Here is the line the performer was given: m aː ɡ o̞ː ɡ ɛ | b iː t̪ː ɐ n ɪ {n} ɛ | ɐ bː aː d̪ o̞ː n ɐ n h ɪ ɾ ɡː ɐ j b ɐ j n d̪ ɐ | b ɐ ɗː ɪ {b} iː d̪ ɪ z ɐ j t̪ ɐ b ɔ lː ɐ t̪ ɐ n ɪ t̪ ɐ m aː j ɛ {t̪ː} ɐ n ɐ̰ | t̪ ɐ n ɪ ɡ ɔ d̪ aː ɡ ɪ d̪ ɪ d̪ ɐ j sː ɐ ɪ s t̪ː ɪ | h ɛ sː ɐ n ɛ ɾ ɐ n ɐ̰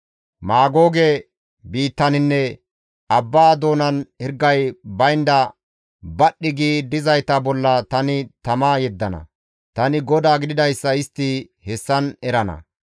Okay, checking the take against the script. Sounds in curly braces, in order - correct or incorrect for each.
incorrect, incorrect, incorrect

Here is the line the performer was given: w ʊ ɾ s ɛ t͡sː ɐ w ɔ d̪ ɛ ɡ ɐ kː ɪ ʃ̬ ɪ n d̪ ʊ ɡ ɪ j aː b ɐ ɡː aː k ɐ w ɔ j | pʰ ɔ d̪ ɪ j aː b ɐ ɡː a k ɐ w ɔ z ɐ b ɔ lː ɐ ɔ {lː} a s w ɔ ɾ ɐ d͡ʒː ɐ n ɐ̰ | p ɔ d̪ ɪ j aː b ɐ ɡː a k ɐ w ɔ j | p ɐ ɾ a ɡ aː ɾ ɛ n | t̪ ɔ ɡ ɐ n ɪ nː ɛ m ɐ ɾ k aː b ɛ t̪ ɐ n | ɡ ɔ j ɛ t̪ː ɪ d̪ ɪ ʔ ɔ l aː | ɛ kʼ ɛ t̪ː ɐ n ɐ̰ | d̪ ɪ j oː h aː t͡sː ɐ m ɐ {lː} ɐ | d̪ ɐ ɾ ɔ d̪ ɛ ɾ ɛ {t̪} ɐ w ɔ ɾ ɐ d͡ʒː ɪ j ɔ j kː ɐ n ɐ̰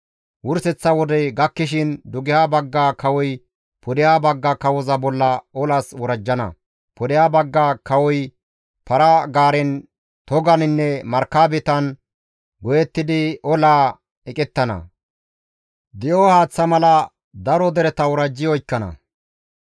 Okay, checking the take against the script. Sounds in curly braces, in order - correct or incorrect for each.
incorrect, incorrect, correct

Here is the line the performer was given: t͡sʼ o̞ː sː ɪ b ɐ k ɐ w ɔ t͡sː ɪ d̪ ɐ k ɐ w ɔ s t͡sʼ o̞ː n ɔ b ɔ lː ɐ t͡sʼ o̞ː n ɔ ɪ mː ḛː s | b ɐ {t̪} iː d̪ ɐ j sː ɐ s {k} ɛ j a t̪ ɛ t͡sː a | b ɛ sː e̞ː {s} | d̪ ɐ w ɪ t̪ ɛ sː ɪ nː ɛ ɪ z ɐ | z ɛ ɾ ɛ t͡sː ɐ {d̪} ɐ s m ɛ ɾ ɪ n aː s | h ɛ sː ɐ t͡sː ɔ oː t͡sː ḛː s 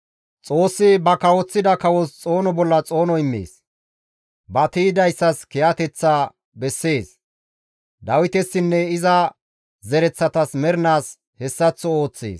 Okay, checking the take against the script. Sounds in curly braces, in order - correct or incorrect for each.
correct, correct, correct, incorrect

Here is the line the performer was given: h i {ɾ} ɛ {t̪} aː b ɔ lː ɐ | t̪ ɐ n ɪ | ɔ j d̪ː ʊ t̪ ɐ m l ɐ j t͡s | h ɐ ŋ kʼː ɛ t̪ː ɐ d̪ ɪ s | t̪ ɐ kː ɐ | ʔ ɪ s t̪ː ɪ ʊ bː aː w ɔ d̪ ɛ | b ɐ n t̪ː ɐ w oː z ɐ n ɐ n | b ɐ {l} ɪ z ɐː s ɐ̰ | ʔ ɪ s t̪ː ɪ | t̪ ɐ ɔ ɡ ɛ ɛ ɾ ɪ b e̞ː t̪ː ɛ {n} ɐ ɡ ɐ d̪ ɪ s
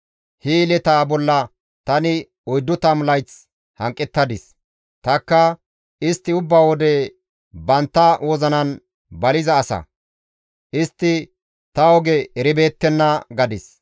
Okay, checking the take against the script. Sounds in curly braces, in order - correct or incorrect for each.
incorrect, correct, correct, incorrect

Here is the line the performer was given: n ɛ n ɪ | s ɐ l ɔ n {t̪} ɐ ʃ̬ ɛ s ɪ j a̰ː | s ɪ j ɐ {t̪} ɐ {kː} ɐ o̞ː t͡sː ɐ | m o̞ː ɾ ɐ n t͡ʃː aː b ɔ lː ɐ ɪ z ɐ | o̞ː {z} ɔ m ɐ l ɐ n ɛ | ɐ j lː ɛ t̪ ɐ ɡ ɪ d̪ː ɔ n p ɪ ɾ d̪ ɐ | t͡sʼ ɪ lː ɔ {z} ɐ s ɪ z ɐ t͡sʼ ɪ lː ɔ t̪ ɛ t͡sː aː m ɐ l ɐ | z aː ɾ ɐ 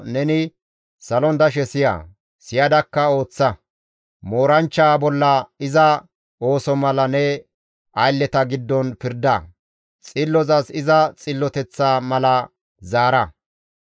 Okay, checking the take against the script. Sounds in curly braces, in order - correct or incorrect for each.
incorrect, incorrect, correct, incorrect, correct

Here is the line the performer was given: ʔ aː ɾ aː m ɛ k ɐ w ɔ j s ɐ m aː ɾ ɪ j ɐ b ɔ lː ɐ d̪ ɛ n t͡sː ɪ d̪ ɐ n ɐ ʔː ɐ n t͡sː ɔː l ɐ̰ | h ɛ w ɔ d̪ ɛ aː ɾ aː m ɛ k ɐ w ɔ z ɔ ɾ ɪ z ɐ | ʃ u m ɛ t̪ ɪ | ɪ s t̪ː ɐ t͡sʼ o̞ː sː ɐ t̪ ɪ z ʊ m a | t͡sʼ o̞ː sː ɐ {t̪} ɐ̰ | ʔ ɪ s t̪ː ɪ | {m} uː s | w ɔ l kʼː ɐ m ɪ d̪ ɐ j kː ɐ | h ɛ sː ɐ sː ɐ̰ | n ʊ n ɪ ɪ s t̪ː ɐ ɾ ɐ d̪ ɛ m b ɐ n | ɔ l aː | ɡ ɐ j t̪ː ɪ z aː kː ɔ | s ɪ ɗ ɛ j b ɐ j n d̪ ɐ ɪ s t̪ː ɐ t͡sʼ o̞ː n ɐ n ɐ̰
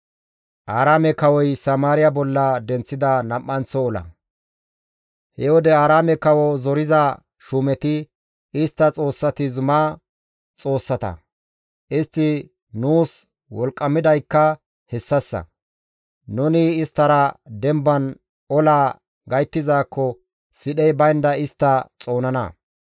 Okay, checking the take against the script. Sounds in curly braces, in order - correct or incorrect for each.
correct, incorrect

